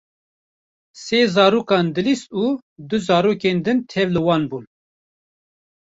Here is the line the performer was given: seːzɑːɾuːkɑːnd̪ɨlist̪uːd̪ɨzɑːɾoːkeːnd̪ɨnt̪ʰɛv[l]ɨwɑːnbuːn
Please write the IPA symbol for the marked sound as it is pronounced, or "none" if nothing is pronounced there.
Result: l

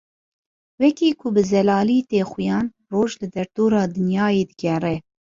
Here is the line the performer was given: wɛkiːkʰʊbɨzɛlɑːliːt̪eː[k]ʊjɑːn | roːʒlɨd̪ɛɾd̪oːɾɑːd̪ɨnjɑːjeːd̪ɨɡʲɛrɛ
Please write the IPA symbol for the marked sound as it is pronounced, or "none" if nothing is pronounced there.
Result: x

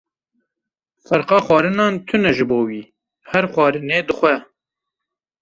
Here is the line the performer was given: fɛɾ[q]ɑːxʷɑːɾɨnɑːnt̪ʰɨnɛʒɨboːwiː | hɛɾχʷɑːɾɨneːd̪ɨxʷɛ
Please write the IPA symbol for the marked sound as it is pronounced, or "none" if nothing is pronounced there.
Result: q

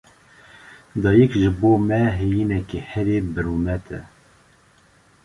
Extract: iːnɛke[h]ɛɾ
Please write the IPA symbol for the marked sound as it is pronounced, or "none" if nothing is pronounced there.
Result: h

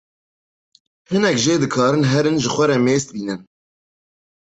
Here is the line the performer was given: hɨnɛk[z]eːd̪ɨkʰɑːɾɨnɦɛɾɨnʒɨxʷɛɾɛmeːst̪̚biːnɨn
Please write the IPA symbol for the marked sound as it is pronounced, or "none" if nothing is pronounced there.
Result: ʒ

